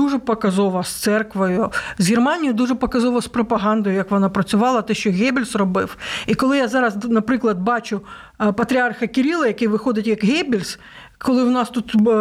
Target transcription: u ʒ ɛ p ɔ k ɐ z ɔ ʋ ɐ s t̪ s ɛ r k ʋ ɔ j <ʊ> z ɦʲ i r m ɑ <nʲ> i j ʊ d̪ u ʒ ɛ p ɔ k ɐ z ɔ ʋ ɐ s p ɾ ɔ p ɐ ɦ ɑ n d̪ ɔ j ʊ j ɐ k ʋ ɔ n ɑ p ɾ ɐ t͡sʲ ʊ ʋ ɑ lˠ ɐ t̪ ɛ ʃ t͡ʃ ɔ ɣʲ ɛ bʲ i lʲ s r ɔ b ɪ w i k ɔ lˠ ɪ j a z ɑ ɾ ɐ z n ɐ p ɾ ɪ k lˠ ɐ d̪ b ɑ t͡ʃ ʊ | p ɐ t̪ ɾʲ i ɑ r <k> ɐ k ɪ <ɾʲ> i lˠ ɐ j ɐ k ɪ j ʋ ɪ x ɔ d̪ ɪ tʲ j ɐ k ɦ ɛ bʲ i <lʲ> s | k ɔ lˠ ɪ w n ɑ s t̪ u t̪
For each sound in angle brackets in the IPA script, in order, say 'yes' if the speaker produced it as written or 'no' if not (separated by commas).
yes, yes, no, yes, yes